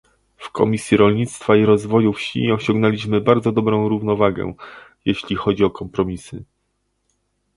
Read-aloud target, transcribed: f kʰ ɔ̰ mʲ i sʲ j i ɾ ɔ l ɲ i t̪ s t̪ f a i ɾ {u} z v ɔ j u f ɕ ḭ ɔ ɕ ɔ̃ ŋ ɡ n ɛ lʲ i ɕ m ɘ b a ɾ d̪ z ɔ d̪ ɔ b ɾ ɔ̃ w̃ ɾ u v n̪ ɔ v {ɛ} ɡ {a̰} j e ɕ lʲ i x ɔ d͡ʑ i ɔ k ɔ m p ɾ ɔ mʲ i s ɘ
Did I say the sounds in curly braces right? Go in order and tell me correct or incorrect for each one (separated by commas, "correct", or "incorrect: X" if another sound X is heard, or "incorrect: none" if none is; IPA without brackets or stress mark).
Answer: incorrect: ɔ, incorrect: a, incorrect: ɛ̰